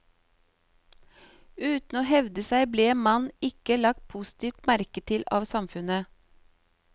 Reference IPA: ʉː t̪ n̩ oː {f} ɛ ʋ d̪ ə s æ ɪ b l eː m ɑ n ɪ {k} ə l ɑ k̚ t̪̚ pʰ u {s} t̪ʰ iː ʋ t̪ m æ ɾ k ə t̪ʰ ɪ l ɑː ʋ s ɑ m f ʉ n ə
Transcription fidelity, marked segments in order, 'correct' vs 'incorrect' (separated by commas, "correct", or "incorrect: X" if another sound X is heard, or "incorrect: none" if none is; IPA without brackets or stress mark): incorrect: h, correct, correct